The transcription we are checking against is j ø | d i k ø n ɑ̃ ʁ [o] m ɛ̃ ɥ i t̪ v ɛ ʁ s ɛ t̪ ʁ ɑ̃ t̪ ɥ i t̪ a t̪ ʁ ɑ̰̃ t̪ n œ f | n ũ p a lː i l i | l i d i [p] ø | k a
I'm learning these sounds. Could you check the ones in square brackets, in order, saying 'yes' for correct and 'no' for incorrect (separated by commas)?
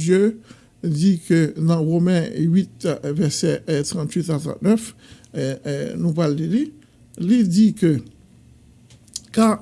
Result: yes, no